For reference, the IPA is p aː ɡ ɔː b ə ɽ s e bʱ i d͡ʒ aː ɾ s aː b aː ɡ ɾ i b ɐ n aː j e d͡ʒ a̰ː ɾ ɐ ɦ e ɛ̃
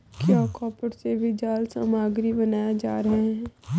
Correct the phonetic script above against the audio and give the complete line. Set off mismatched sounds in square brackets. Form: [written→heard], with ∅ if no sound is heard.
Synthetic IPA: [p→k] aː [ɡ→k] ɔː [b→p] ə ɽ s e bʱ i d͡ʒ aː [ɾ→l] s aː [b→m] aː ɡ ɾ i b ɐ n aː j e d͡ʒ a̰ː ɾ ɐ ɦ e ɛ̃